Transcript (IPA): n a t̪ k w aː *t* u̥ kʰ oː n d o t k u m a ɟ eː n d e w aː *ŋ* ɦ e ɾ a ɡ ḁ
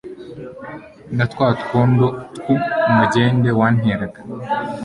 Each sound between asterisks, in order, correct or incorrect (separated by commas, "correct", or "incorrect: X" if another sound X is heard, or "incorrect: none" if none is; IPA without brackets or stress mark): correct, incorrect: n